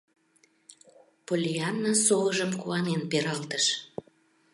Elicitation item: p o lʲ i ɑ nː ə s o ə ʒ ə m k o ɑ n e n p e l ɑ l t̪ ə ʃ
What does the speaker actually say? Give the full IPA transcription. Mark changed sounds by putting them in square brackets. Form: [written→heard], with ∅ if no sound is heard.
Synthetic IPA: p o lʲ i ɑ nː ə s o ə ʒ ə m k [o→u] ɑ n e n p e [l→ɾ] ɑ l t̪ ə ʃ